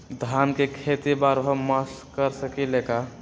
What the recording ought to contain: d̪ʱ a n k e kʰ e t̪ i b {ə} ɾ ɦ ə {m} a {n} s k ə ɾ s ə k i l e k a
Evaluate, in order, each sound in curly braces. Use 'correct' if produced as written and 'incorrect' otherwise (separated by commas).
incorrect, correct, incorrect